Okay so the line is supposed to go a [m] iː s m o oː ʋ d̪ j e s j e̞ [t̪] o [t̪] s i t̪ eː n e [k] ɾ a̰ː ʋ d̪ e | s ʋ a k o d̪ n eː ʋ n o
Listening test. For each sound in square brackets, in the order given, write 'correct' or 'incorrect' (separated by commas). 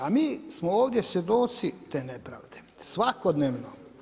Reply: correct, incorrect, correct, incorrect